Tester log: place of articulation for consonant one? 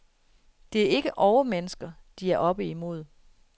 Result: alveolar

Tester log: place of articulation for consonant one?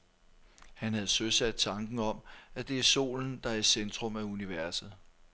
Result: glottal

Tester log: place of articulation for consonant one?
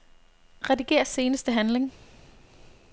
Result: uvular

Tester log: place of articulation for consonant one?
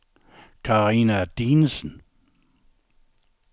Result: velar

